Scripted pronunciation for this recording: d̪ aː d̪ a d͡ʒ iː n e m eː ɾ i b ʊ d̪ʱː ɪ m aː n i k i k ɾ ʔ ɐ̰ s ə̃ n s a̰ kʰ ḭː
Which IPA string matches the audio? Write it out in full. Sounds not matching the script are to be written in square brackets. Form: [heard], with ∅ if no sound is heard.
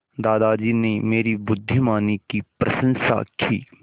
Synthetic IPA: d̪ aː d̪ a d͡ʒ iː n e m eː ɾ i b ʊ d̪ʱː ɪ m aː n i k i [p] ɾ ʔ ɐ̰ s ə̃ n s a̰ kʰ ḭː